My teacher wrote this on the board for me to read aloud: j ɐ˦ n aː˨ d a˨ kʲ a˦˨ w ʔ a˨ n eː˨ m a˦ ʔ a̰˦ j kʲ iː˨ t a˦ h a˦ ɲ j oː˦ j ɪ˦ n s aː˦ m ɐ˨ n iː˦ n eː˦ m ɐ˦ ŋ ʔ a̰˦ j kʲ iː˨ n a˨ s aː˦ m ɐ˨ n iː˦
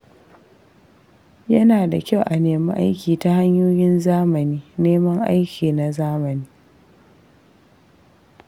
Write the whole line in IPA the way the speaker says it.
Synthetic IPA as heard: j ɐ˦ n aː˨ d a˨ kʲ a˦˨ w ʔ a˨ n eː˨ m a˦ ʔ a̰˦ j kʲ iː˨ t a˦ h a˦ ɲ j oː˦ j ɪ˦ n z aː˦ m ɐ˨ n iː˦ n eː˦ m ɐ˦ ŋ ʔ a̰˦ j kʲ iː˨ n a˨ z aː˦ m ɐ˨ n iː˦